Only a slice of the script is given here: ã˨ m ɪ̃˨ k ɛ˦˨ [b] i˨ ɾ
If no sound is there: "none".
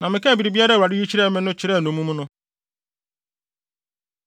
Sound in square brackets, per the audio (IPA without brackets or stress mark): b